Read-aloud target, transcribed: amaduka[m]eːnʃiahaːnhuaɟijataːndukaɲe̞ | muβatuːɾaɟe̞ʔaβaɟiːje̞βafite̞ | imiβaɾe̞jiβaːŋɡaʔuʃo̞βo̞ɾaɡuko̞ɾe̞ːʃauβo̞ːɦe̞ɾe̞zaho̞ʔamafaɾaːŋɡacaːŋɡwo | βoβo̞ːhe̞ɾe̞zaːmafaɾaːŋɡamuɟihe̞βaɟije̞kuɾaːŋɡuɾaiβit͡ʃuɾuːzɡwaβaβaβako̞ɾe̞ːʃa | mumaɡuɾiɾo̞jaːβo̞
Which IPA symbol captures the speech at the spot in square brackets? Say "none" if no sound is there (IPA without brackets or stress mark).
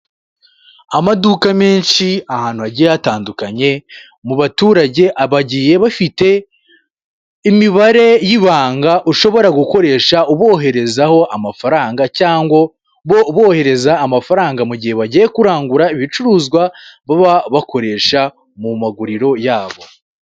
m